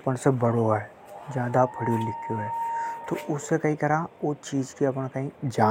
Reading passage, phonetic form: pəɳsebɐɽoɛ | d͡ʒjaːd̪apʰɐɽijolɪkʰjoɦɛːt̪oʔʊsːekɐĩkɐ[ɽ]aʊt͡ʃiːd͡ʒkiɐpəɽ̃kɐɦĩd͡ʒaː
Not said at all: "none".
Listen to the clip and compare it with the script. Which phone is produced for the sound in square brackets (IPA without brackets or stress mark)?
ɾ